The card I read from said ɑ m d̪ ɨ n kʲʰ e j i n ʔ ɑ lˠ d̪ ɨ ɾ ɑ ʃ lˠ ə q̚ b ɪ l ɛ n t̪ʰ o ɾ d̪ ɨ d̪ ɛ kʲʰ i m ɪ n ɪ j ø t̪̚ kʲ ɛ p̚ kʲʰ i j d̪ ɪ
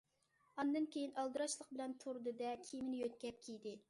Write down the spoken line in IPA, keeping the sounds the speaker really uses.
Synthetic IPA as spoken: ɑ n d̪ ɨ n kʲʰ e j i n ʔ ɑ lˠ d̪ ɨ ɾ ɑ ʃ lˠ ə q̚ b ɪ l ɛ n t̪ʰ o ɾ d̪ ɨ d̪ ɛ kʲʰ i m ɪ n ɪ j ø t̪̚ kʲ ɛ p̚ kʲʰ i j d̪ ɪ

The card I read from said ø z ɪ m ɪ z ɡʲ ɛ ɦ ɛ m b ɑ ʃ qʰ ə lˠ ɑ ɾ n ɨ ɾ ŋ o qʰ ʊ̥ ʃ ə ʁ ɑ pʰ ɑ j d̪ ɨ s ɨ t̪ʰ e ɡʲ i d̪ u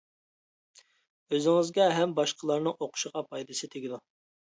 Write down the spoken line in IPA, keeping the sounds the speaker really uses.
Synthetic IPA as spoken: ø z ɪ ŋ ɪ z ɡʲ ɛ ɦ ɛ m b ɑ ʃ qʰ ə lˠ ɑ ɾ n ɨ ŋ o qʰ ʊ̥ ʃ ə ʁ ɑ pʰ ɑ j d̪ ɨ s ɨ t̪ʰ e ɡʲ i d̪ u

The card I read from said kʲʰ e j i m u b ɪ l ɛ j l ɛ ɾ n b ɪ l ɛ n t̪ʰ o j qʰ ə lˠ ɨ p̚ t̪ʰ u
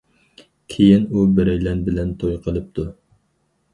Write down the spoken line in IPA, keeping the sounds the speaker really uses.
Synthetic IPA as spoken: kʲʰ e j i n u b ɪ ɾ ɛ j l ɛ n b ɪ l ɛ n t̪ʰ o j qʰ ə lˠ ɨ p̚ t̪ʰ u

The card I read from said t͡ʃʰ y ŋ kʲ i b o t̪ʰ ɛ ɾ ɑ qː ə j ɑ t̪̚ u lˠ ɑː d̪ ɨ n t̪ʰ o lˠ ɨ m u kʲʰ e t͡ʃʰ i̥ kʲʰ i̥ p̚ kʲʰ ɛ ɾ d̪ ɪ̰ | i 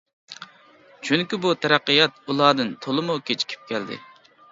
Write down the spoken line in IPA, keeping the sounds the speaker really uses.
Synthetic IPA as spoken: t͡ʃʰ y ŋ kʲ i b u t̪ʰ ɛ ɾ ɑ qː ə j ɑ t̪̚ u lˠ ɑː d̪ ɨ n t̪ʰ o lˠ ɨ m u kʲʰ e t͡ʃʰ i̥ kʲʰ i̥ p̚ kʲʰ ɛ l d̪ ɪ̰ | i

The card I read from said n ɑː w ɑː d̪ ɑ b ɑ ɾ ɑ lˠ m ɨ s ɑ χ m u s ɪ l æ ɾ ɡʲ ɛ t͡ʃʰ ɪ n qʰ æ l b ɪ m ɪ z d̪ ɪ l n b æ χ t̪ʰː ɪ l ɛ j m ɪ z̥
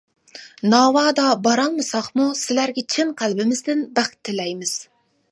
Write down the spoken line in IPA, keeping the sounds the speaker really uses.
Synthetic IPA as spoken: n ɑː w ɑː d̪ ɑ b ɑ ɾ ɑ lˠ m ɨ s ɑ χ m u s ɪ l æ ɾ ɡʲ ɛ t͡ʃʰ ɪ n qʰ æ l b ɪ m ɪ z d̪ ɪ n b æ χ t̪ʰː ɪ l ɛ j m ɪ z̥

